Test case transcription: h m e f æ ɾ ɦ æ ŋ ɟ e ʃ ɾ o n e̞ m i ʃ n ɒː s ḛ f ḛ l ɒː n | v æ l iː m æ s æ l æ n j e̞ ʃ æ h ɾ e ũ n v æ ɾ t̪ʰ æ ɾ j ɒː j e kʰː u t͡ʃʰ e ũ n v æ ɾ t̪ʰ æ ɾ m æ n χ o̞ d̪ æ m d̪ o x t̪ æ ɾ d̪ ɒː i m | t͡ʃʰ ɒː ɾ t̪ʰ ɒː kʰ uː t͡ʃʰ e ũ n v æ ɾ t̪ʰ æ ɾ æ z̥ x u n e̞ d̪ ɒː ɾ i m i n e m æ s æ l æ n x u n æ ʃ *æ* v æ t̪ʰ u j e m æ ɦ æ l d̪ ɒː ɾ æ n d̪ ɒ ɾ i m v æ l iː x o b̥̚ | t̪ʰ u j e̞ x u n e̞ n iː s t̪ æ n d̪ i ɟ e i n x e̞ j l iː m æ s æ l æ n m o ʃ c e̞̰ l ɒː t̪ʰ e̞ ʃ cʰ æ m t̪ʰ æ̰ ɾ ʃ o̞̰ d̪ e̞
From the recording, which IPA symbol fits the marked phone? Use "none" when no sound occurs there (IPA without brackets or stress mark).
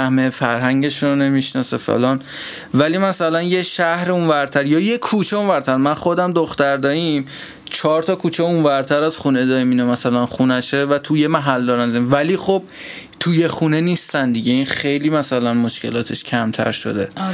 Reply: e